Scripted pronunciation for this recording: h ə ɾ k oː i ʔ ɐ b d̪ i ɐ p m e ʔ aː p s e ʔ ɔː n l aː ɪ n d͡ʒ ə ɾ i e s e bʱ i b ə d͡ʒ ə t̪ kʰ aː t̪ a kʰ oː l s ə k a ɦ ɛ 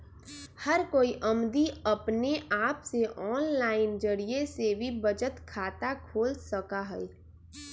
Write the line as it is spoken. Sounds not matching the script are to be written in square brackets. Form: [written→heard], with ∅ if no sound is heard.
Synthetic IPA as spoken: h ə ɾ k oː i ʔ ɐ [b→m] d̪ i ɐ p [m→n] e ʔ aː p s e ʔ ɔː n l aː ɪ n d͡ʒ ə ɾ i e s e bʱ i b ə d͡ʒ ə t̪ kʰ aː t̪ a kʰ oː l s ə k a ɦ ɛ